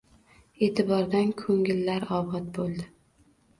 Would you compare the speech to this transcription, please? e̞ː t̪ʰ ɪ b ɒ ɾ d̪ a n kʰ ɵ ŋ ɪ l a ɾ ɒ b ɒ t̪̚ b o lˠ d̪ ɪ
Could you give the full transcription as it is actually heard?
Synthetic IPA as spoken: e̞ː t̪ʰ ɪ b ɒ ɾ d̪ a n kʰ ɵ ŋ ɪ lː a ɾ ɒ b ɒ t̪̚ b o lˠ d̪ ɪ